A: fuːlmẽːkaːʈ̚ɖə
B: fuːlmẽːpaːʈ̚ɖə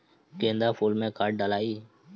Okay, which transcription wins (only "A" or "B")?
A